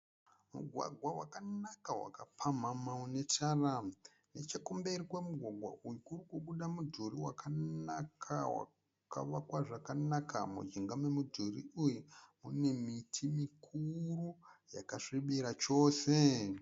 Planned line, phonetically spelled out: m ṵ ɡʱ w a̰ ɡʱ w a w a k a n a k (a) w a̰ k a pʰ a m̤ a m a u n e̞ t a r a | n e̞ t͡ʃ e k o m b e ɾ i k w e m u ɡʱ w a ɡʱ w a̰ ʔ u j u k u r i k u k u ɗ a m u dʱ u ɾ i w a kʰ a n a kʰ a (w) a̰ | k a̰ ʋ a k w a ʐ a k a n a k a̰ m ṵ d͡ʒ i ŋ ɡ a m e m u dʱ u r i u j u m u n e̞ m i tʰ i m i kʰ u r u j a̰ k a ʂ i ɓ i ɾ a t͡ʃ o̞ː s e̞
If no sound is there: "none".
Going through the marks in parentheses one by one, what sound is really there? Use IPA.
a, w

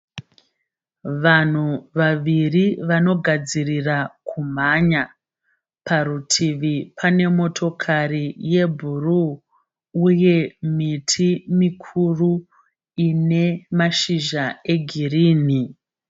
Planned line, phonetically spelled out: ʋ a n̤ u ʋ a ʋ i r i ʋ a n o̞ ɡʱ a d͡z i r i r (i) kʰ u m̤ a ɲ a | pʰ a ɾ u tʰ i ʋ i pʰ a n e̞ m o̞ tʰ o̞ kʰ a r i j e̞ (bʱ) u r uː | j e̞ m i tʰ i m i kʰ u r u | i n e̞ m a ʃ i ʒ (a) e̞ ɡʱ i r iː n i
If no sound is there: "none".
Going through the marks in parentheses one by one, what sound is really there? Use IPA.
a, bʱ, a

